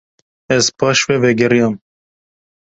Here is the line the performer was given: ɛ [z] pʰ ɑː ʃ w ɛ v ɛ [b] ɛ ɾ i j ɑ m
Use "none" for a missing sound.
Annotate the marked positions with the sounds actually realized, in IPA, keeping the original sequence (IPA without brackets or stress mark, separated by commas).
z, ɡ